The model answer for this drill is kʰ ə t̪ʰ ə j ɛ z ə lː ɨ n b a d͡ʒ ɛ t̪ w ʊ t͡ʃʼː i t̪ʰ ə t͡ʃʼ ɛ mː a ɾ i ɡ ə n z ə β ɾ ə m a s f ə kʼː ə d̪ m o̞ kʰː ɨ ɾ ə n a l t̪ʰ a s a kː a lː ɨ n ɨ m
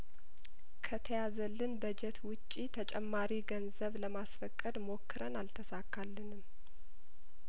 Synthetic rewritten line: kʰ ə t̪ʰ ə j a z ə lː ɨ n b ə d͡ʒ ɛ t̪ w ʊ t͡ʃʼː i t̪ʰ ə t͡ʃʼ ɛ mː a ɾ i ɡ ə n z ə β l ə m a s f ə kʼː ə d̪ m o̞ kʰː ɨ ɾ ə n a l t̪ʰ ə s a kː a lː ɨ n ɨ m

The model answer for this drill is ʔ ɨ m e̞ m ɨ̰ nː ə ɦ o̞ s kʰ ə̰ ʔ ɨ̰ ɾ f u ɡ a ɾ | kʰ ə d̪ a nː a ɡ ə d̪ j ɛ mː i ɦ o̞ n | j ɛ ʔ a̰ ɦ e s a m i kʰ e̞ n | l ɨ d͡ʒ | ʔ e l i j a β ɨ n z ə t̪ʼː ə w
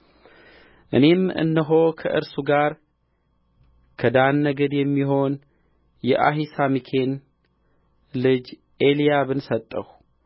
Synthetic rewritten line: ʔ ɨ n e̞ m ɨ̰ nː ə ɦ o̞ kʰ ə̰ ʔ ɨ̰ ɾ s u ɡ a ɾ | kʰ ə d̪ a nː ə ɡ ə d̪ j ɛ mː i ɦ o̞ n | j ɛ ʔ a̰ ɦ i s a m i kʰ e̞ n | l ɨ d͡ʒ | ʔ e l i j a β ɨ n s ə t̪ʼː ə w

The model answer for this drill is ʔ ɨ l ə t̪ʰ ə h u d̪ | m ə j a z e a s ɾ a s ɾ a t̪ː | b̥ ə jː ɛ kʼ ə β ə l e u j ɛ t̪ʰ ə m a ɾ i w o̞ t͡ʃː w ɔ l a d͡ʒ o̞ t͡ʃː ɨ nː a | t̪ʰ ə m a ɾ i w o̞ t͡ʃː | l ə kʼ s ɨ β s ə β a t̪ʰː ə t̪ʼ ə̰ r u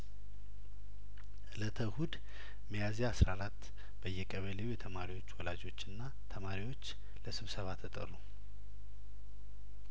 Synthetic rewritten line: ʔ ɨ l ə t̪ʰ ə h u d̪ | m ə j a z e a s ɾ a ɾ a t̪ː | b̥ ə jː ɛ kʼ ə β ə l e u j ɛ t̪ʰ ə m a ɾ i w o̞ t͡ʃː w ɔ l a d͡ʒ o̞ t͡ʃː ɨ nː a | t̪ʰ ə m a ɾ i w o̞ t͡ʃː | l ə s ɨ β s ə β a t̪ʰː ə t̪ʼ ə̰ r u

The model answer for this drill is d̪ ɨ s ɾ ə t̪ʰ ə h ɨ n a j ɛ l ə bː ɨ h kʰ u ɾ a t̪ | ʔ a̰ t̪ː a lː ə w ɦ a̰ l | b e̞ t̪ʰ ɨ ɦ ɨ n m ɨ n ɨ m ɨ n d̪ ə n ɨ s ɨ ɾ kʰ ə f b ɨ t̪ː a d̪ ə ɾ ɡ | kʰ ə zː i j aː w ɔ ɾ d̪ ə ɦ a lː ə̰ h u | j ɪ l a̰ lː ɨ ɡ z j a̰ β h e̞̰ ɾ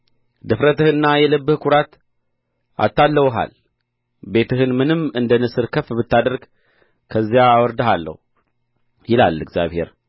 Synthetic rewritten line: d̪ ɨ f ɾ ə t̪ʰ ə h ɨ nː a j ɛ l ə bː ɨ h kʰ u ɾ a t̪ | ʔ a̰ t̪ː a lː ə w ɦ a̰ l | b e̞ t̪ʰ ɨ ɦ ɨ n m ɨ n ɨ m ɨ n d̪ ə n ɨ s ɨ ɾ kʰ ə f b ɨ t̪ː a d̪ ə ɾ ɡ | kʰ ə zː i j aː w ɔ ɾ d̪ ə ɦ a lː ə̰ h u | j ɪ l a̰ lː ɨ ɡ z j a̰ β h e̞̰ ɾ

